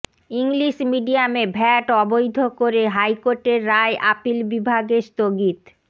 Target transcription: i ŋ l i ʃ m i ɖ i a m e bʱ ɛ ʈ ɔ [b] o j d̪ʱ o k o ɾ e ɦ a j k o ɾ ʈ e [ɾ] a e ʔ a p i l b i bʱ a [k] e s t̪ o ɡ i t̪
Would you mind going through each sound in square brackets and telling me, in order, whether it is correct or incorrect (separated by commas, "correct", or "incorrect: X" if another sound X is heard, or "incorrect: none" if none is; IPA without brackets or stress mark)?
correct, incorrect: ɾː, incorrect: ɡ